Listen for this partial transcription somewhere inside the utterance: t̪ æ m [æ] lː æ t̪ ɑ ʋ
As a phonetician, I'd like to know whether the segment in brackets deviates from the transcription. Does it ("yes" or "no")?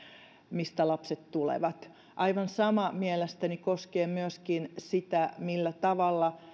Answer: yes